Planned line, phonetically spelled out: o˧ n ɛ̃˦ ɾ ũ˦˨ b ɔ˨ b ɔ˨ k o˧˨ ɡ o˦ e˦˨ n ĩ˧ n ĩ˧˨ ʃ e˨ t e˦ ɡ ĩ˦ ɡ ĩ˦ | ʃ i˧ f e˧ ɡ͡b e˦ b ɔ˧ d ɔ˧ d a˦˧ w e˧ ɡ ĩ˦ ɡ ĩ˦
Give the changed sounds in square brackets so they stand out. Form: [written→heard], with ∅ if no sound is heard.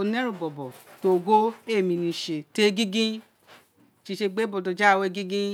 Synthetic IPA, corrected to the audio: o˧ n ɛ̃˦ ɾ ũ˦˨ b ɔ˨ b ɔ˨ [k→t] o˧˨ ɡ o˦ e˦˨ [n→m] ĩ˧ n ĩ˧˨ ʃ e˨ t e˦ ɡ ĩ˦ ɡ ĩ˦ | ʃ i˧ [f→ʃ] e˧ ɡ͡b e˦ b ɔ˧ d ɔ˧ [d→d͡ʒ] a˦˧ w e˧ ɡ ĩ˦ ɡ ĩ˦